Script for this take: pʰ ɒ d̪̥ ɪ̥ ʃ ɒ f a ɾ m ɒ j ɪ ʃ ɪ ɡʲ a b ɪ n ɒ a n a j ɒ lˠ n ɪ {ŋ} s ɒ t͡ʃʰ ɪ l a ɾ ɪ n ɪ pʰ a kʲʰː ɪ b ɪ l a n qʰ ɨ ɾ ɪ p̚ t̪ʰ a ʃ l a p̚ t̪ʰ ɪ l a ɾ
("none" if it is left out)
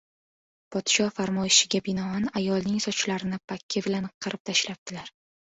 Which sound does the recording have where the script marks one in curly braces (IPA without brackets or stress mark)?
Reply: ŋ